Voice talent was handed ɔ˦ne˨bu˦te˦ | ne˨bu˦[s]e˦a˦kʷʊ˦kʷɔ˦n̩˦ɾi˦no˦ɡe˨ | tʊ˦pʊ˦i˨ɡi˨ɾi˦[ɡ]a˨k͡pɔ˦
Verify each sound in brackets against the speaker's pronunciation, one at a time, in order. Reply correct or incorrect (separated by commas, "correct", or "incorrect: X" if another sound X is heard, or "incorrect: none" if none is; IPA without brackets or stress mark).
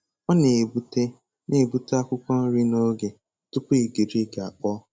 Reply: incorrect: t, correct